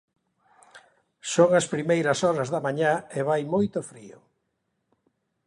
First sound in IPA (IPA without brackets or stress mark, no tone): s